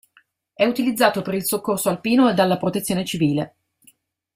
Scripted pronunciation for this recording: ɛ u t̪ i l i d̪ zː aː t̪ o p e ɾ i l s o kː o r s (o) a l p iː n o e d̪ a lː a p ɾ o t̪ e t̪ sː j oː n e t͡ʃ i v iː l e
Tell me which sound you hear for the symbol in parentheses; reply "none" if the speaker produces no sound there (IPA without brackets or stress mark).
o